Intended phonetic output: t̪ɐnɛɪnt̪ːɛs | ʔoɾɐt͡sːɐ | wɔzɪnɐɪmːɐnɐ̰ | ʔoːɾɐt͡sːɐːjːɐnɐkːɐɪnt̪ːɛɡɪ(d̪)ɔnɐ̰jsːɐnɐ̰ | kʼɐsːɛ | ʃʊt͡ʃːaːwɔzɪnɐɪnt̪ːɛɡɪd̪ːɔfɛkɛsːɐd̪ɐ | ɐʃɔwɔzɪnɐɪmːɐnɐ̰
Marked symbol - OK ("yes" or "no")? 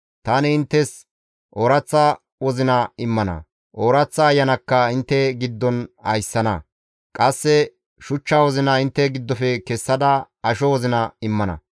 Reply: no